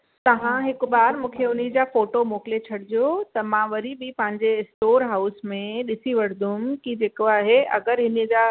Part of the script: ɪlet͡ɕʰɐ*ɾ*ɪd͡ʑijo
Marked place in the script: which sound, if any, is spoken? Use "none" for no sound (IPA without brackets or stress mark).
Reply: ɽ